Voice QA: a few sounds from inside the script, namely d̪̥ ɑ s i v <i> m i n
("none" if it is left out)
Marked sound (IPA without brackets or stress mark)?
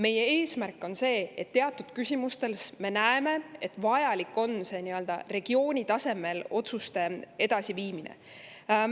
iː